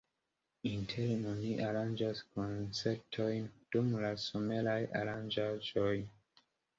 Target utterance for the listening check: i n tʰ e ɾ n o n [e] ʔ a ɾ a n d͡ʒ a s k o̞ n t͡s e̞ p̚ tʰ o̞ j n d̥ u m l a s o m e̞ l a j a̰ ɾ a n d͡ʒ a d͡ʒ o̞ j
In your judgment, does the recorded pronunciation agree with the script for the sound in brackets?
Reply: no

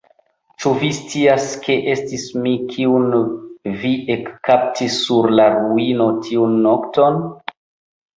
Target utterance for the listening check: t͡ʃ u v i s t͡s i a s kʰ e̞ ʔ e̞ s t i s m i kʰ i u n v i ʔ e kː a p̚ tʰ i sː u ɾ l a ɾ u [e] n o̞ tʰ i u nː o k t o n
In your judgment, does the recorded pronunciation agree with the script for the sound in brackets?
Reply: no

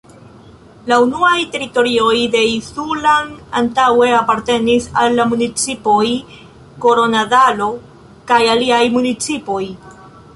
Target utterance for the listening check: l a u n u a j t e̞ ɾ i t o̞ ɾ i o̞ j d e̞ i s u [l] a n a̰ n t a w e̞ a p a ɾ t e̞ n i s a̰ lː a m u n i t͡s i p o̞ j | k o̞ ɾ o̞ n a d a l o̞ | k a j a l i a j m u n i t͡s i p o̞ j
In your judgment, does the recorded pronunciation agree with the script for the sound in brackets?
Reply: yes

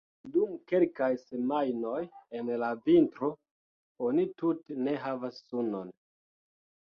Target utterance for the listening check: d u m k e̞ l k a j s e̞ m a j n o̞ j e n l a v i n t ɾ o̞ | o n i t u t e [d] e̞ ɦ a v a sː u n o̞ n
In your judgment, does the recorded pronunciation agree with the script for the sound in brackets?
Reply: no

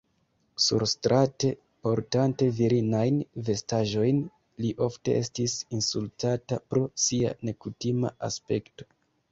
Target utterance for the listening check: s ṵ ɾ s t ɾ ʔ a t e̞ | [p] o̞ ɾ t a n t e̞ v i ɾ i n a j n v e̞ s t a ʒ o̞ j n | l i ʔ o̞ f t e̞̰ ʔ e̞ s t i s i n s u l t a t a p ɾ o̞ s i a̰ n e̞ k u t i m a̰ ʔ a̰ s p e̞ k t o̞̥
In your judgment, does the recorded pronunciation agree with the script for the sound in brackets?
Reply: yes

